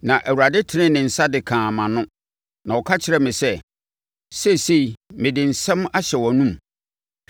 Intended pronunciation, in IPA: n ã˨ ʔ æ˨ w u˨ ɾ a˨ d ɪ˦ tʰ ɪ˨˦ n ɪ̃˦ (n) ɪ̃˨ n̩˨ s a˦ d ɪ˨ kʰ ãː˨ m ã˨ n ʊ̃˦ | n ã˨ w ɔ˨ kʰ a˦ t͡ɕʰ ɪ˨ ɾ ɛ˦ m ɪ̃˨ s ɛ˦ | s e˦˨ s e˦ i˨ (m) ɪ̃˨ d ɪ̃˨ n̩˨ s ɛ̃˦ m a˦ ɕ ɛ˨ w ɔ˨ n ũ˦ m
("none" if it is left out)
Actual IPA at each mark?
n, m

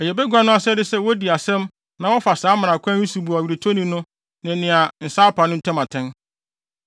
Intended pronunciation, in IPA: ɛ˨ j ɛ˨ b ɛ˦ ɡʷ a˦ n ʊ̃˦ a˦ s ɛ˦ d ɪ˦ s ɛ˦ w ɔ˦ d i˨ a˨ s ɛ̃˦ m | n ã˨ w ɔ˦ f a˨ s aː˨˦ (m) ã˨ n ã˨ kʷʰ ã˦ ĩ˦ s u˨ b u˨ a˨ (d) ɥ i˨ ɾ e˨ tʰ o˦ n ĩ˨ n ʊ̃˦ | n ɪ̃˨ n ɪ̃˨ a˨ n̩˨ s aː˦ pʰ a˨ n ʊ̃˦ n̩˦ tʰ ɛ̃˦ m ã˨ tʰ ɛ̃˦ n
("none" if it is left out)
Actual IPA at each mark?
m, none

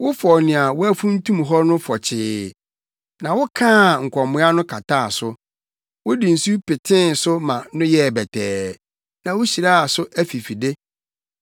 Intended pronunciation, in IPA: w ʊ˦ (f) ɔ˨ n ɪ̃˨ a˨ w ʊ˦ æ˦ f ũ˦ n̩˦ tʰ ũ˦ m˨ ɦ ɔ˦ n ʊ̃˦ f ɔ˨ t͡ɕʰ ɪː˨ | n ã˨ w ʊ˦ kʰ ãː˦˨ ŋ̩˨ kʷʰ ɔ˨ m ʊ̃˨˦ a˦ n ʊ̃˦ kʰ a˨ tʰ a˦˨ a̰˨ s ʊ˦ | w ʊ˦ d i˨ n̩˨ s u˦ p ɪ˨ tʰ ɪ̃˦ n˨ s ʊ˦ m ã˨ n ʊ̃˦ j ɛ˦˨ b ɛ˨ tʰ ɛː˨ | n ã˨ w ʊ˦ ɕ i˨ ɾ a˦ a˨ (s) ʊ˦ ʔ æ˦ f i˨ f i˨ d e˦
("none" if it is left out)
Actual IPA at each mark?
f, s

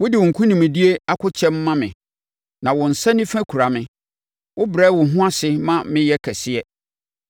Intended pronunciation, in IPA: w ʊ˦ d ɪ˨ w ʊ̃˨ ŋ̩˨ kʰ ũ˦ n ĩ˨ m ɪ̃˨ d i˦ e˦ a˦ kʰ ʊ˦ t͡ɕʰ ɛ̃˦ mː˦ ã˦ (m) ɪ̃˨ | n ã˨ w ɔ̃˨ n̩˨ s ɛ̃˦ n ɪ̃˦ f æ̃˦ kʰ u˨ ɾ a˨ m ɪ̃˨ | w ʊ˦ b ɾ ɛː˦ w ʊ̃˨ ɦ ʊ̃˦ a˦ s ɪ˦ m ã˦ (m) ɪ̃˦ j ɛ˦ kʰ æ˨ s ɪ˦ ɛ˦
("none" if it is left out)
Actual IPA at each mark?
m, m

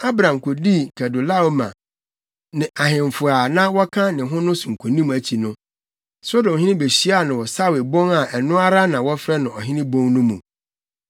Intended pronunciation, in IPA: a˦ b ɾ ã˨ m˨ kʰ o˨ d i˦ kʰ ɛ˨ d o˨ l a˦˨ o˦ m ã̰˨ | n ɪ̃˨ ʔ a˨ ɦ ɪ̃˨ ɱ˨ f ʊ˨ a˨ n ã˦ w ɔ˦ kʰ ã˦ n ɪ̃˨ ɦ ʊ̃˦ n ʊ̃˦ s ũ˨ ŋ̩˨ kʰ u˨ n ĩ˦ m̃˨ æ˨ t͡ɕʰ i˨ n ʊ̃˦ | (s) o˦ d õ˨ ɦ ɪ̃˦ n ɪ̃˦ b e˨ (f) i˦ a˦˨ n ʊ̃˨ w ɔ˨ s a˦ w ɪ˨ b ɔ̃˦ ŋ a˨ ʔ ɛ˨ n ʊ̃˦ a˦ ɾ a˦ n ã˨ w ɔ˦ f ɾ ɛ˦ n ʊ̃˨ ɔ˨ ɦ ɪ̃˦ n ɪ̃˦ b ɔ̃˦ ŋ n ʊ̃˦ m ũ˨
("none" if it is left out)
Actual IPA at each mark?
s, ɕ

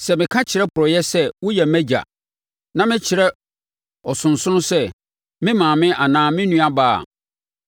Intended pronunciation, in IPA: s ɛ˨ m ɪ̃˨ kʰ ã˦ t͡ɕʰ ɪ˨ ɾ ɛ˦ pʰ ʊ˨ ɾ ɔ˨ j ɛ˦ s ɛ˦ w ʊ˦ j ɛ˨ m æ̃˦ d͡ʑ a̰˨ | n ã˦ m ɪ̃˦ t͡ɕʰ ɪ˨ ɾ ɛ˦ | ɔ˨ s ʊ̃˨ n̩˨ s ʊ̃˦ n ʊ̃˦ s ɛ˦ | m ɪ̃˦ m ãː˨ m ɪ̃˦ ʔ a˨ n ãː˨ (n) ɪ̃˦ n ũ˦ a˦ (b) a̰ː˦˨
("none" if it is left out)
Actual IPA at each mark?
m, b

